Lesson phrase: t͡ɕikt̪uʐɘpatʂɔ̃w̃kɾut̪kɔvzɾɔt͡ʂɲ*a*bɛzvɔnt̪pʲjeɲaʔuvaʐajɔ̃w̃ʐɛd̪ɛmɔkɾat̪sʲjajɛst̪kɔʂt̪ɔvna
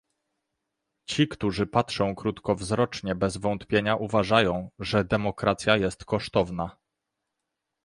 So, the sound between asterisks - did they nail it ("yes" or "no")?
no